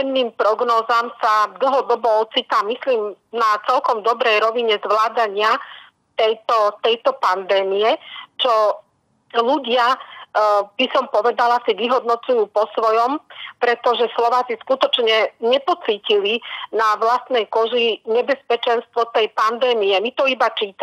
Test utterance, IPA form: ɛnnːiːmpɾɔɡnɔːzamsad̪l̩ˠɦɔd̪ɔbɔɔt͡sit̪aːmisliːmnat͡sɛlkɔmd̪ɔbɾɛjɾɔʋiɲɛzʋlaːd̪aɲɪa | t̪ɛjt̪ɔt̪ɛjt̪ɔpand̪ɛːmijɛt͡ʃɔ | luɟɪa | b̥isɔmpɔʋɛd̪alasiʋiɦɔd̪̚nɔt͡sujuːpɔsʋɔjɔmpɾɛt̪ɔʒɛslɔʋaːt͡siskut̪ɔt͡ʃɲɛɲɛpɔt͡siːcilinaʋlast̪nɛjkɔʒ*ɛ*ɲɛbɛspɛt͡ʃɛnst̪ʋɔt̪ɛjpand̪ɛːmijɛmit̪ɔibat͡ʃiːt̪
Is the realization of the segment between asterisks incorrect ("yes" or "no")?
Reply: yes